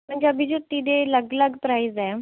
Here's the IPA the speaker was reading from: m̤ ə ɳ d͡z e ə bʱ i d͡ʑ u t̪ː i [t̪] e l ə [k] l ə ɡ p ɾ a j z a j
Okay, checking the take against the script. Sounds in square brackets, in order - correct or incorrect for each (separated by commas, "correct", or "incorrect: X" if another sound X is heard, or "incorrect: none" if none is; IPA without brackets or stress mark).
incorrect: d̪, incorrect: ɡ